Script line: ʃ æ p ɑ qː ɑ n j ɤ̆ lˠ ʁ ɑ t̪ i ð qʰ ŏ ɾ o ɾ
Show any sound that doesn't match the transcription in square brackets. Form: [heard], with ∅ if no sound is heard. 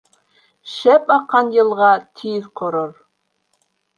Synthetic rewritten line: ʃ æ p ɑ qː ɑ n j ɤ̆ lˠ ʁ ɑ [t̪ʰ] i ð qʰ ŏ ɾ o ɾ